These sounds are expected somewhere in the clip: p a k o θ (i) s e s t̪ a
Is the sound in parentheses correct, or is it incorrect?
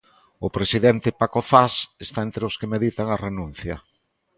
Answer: incorrect